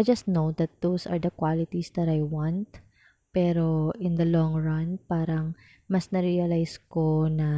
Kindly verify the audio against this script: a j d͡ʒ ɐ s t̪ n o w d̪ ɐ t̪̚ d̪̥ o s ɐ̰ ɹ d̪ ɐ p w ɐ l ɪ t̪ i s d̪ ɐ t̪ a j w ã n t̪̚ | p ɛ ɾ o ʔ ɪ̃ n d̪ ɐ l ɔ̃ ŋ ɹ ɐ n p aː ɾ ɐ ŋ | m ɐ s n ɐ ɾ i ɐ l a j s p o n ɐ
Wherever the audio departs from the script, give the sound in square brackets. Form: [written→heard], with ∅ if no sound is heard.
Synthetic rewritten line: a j d͡ʒ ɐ s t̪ n o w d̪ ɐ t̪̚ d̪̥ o s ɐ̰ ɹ d̪ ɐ [p→k] w [ɐ→a] l ɪ t̪ i s d̪ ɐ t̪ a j w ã n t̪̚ | p ɛ ɾ o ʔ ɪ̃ n d̪ ɐ l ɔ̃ ŋ ɹ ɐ n p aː ɾ ɐ ŋ | m ɐ s n ɐ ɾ i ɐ l a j s [p→k] o n ɐ